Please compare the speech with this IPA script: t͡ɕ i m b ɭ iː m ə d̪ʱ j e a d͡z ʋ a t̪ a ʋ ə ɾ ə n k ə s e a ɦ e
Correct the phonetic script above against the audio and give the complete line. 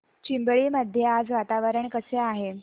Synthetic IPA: t͡ɕ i m b ɭ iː m ə d̪ʱ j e a d͡z ʋ a t̪ a ʋ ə ɾ ə ɳ k ə s e a ɦ e

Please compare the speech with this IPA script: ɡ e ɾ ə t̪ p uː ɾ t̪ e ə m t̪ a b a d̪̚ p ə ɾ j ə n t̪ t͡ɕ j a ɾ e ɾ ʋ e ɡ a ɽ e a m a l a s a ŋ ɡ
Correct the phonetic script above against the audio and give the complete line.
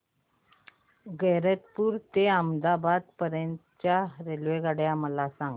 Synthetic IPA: ɡ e ɾ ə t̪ p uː ɾ t̪ e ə m d̪ a b a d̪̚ p ə ɾ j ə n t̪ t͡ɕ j a ɾ e l ʋ e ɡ a ɽ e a m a l a s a ŋ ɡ

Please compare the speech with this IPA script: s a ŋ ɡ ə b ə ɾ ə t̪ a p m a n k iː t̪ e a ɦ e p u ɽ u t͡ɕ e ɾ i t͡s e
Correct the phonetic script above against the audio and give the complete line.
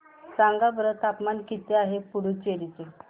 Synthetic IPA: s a ŋ ɡ a b ə ɾ ə t̪ a p m a n k i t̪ e a ɦ e p u ɽ u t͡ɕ e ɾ i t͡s e

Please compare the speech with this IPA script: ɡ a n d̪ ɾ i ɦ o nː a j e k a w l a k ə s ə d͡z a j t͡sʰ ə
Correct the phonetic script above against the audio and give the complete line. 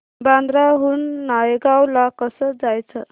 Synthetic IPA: b a n d̪ ɾ a ɦ u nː a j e ɡ a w l a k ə s ə d͡z a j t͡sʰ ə

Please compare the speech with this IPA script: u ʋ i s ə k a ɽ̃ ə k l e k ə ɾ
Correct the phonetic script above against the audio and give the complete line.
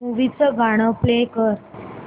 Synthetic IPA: u ʋ i t͡s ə ɡ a ɽ̃ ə p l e k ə ɾ

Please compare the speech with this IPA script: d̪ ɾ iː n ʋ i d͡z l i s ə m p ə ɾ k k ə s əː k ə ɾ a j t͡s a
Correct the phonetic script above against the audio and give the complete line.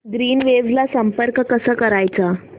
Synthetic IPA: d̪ ɾ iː n ʋ e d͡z l a s ə m p ə ɾ k k ə s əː k ə ɾ a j t͡s a

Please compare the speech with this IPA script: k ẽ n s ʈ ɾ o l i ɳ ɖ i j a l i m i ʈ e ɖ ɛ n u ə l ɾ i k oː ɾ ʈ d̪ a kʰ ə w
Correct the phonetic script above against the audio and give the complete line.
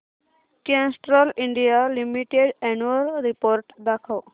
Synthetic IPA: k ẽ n s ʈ ɾ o l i ɳ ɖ i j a l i m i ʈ e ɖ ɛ n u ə l ɾ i p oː ɾ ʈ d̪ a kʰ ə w

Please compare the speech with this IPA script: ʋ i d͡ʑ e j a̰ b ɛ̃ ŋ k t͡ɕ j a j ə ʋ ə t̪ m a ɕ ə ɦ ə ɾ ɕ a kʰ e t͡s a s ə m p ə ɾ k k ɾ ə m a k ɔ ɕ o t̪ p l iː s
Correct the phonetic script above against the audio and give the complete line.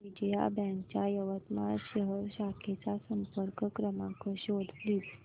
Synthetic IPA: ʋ i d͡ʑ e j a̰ b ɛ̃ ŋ k t͡ɕ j a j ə ʋ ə t̪ m a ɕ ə ɦ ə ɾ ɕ a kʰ e t͡s a s ə m p ə ɾ k k ɾ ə m a k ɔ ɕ o d̪ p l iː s

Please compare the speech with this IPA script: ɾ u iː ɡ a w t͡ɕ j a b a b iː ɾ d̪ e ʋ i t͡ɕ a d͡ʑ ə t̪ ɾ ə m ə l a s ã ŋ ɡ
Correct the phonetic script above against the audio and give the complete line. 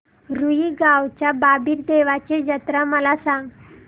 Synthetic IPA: ɾ u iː ɡ a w t͡ɕ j a b a b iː ɾ d̪ e ʋ a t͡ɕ e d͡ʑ ə t̪ ɾ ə m ə l a s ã ŋ ɡ

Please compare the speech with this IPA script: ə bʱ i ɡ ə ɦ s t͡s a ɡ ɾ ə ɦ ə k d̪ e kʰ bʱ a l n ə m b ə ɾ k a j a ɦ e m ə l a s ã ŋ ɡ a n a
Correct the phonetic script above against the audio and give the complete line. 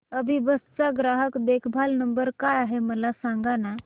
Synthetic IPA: ə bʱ i b ə s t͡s a ɡ ɾ a ɦ ə k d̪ e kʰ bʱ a l n ə m b ə ɾ k a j a ɦ e m ə l a s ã ŋ ɡ a n a

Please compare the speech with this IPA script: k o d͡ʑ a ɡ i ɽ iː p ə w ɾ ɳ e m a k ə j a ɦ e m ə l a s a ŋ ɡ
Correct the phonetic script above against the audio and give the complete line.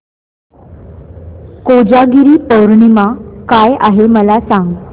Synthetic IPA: k o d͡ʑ a ɡ i ɾ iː p ə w ɾ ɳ i m a k a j a ɦ e m ə l a s a ŋ ɡ

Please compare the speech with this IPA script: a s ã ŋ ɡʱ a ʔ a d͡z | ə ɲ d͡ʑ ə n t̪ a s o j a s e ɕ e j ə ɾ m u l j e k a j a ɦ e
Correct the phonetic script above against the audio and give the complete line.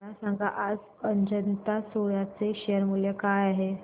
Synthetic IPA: a s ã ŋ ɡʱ a ʔ a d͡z | ə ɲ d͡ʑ ə n t̪ a s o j a t͡s e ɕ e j ə ɾ m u l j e k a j a ɦ e

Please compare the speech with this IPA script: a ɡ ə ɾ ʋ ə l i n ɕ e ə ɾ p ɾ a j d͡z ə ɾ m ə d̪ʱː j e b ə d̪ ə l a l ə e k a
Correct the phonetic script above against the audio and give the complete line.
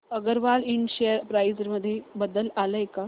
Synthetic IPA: ə ɡ ə ɾ ʋ a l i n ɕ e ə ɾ p ɾ a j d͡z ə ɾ m ə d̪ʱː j e b ə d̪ ə l a l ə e k a

